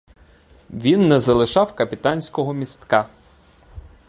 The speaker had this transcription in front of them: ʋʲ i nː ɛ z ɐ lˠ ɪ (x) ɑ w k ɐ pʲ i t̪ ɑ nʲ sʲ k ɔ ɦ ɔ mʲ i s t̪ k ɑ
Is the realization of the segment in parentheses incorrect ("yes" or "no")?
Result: yes